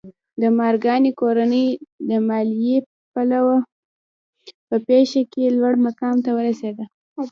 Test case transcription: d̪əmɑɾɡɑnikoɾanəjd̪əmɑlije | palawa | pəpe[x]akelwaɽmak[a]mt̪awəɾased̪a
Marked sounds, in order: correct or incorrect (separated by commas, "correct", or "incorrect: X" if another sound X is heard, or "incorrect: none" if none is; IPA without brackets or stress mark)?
incorrect: ʃ, incorrect: ɑ